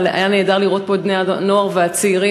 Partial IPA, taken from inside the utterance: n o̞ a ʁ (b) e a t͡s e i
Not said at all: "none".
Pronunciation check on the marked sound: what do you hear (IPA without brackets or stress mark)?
v